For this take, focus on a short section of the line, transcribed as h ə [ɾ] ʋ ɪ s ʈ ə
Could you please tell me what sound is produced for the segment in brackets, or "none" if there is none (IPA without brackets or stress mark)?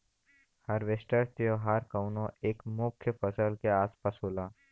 ɾ